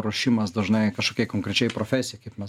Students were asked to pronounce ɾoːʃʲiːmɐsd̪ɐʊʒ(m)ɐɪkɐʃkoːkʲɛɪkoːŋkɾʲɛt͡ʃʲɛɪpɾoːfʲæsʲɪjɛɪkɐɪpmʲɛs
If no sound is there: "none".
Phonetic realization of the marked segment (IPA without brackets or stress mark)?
n